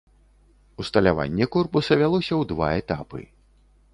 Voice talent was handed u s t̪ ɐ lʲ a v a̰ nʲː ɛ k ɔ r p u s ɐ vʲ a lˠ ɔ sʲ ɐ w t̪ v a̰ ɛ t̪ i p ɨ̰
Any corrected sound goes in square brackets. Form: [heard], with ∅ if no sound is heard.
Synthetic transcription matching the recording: u s t̪ ɐ lʲ a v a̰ nʲː ɛ k ɔ r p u s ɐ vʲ a lˠ ɔ sʲ ɐ w [d̪] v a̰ ɛ t̪ [a] p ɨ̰